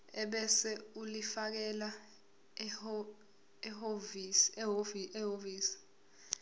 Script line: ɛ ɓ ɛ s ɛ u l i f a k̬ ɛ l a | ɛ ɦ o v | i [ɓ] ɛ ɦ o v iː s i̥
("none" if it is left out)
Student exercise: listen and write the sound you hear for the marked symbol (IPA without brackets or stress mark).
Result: none